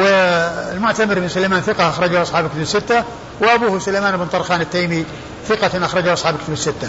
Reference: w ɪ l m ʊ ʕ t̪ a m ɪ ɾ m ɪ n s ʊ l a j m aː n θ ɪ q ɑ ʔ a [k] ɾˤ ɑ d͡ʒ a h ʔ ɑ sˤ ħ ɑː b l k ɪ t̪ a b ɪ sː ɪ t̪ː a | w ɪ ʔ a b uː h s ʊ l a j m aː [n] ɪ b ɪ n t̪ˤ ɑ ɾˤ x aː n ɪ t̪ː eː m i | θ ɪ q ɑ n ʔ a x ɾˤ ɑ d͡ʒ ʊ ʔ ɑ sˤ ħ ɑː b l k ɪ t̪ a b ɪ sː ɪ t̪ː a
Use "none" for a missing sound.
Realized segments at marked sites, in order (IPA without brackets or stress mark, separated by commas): x, n